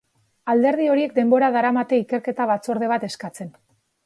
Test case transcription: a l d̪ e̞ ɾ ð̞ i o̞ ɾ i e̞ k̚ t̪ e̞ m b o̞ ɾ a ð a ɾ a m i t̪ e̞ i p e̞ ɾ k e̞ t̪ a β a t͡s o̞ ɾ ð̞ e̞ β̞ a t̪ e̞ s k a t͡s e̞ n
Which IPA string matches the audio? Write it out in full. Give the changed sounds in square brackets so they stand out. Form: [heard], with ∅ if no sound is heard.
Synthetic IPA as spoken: a l d̪ e̞ ɾ ð̞ i o̞ ɾ i e̞ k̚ [d̪] e̞ m b o̞ ɾ a ð a ɾ a m [a] t̪ e̞ i [k] e̞ ɾ k e̞ t̪ a β a t͡s o̞ ɾ ð̞ e̞ β̞ a t̪ e̞ s k a t͡s e̞ n